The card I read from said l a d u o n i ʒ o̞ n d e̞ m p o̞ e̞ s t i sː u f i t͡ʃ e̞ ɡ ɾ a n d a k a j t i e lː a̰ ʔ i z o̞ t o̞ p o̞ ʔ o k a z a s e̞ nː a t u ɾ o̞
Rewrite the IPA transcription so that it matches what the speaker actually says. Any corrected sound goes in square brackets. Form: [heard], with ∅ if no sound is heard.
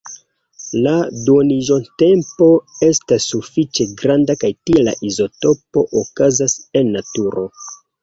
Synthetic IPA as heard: l a d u o n i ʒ o̞ n [t] e̞ m p o̞ e̞ s t [a] sː u f i t͡ʃ e̞ ɡ ɾ a n d a k a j t i e [l] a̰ ʔ i z o̞ t o̞ p o̞ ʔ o k a z a s e̞ nː a t u ɾ o̞